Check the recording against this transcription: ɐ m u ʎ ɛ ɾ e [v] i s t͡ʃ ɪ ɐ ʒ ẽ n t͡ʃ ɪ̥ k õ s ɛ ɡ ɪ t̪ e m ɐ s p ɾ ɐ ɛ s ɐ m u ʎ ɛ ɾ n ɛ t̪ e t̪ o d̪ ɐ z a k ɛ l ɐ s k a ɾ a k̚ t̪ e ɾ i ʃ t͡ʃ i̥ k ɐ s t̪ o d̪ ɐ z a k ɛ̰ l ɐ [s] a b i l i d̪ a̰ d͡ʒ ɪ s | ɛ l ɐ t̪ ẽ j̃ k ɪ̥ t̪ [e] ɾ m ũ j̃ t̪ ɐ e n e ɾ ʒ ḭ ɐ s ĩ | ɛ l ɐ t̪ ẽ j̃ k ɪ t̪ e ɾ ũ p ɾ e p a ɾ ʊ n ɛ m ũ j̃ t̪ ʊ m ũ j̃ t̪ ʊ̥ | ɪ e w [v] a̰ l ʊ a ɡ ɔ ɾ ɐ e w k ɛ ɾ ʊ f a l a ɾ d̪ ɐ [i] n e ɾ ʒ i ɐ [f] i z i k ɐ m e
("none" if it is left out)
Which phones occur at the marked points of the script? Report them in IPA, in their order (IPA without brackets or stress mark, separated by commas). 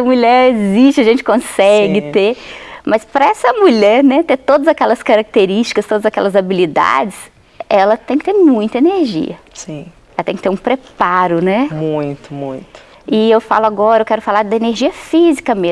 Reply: z, z, e, f, e, f